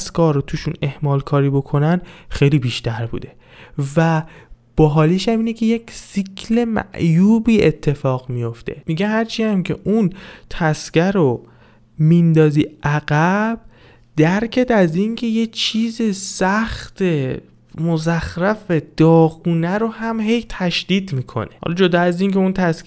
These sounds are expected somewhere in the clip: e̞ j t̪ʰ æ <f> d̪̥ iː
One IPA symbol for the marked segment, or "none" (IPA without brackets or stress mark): ʃ